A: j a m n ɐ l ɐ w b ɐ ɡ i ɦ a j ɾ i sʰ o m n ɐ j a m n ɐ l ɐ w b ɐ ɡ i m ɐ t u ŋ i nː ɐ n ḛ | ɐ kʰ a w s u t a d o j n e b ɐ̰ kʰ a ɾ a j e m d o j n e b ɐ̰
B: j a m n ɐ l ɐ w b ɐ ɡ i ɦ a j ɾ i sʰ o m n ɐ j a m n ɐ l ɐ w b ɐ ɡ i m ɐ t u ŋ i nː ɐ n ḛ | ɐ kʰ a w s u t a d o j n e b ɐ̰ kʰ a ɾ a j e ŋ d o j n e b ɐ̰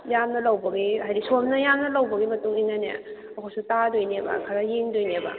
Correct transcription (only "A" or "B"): B